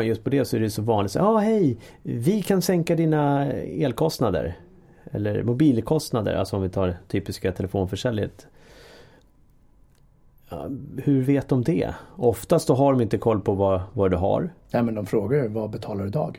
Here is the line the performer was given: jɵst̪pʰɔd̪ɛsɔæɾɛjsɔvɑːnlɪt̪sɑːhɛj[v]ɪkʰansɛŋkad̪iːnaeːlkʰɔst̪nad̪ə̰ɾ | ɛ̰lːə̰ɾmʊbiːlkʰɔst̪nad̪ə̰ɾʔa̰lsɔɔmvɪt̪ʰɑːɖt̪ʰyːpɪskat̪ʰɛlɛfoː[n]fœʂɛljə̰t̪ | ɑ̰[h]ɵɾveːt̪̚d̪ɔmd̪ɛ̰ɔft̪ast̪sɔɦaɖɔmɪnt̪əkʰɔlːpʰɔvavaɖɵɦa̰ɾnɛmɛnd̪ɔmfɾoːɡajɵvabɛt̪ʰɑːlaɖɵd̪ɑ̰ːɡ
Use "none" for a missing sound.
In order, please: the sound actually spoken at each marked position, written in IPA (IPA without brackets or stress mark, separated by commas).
v, n, h